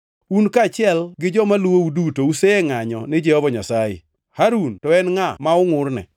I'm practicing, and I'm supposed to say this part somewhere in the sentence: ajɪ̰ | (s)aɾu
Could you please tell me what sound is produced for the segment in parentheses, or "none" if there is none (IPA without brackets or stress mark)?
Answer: h